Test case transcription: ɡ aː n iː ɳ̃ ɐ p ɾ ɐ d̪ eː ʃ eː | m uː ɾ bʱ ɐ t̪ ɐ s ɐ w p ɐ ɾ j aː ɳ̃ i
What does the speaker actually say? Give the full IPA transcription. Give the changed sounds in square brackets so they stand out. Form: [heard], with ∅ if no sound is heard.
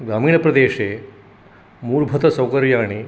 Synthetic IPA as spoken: ɡ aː [m] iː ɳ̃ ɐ p ɾ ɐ d̪ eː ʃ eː | m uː ɾ bʱ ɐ t̪ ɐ s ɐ w [k] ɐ ɾ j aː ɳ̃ i